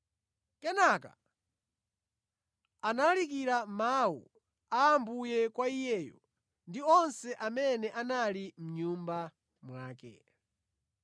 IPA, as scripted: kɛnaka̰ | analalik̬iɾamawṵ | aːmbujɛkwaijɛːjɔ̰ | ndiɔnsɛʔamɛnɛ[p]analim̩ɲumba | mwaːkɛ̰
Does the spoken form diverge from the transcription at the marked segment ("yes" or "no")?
yes